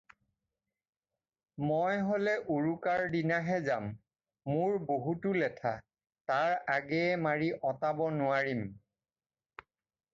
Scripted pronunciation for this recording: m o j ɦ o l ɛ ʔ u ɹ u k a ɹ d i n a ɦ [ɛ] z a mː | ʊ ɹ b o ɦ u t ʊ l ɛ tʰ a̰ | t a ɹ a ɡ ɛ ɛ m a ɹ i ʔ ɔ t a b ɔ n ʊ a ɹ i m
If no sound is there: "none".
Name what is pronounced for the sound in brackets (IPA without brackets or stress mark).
ɛ